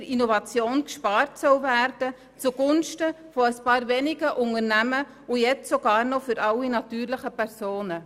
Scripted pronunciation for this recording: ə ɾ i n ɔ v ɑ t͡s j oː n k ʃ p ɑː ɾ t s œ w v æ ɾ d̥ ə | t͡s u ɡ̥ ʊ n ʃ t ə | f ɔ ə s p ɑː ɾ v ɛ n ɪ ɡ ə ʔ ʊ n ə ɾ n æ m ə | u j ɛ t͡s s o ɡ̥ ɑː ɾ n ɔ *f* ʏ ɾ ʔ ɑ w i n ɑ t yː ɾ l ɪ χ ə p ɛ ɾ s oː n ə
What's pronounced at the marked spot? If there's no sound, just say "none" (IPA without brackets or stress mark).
f